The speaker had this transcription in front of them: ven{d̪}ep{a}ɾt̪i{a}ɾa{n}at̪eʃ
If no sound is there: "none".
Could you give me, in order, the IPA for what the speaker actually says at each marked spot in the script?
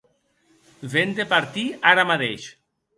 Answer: d̪, a, a, m

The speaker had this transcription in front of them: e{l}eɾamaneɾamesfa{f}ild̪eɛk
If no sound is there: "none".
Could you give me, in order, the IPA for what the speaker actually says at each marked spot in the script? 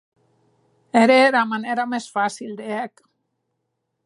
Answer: ɾ, s

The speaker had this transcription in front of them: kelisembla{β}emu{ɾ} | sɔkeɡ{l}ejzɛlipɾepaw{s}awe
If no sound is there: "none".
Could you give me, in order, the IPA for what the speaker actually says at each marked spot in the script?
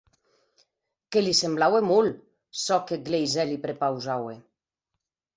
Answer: w, l, l, z

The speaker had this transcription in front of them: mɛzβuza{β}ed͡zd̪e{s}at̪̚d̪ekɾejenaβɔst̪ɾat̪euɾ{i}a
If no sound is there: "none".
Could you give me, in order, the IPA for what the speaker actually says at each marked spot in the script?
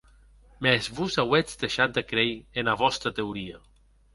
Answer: w, ʃ, i

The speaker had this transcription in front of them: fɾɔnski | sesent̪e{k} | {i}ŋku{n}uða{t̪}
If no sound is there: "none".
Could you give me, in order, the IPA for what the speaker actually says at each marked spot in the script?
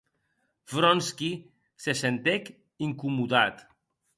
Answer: k, i, m, t̪

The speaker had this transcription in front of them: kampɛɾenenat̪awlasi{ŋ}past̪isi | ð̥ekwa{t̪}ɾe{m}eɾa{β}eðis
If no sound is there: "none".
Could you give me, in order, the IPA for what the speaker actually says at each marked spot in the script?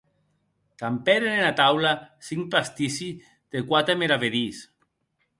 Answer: ŋ, t̪, m, β

